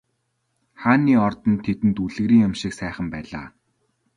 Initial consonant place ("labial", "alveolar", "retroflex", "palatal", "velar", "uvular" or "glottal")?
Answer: uvular